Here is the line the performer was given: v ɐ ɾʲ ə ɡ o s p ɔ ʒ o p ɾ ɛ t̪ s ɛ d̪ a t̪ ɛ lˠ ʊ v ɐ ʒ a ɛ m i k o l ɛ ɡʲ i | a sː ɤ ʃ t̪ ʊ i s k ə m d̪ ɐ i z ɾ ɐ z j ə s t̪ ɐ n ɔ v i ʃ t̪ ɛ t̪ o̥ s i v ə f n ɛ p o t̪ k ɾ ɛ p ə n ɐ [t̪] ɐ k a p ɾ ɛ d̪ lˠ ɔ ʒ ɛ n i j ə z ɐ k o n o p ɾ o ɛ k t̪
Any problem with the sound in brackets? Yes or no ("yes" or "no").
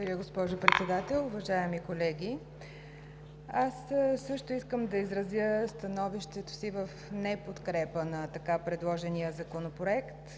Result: no